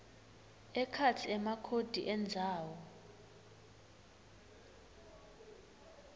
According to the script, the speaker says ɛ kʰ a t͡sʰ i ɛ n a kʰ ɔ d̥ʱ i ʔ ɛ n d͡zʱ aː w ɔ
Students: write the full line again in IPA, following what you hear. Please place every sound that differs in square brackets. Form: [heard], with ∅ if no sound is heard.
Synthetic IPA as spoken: ɛ kʰ a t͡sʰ i ɛ [m] a kʰ [o] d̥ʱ i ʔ ɛ n d͡zʱ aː w ɔ